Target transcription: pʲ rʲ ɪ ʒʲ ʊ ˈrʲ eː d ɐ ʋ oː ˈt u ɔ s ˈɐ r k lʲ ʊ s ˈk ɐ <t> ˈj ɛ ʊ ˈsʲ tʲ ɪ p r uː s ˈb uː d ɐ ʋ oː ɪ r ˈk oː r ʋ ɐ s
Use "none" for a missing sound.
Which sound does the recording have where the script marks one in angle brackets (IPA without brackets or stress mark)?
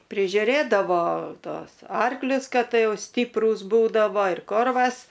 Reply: t